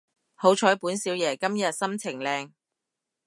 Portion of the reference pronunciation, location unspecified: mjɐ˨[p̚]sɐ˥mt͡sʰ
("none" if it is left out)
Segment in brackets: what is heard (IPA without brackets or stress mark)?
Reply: t̚